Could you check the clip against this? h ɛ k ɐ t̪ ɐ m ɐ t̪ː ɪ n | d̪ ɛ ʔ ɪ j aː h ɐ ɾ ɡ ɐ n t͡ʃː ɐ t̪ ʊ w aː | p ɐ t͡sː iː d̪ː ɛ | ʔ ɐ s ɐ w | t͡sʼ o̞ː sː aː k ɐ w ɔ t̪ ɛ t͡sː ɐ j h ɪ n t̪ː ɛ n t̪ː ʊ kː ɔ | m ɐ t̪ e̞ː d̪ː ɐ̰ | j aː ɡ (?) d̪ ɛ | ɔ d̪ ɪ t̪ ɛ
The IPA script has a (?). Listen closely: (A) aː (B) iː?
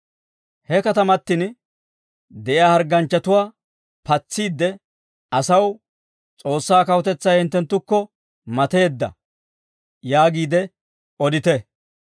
B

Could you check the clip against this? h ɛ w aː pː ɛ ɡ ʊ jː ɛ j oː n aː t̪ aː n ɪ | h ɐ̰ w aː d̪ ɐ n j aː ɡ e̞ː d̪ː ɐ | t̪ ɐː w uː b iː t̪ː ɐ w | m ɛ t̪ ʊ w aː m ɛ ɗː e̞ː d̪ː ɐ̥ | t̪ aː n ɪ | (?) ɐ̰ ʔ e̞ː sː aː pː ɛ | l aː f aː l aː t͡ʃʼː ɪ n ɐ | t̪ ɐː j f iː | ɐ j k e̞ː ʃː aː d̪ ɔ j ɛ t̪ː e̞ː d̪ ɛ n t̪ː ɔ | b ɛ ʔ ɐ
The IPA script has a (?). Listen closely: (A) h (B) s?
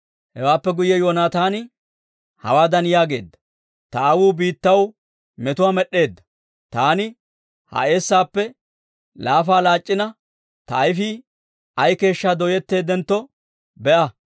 A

